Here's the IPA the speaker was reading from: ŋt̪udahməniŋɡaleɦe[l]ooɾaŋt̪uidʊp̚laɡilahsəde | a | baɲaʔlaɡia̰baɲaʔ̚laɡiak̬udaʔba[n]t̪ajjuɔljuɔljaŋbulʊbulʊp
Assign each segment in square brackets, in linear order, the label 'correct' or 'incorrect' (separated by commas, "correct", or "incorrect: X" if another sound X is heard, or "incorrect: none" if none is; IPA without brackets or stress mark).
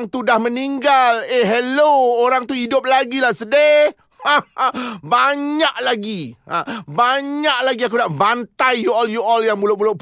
correct, correct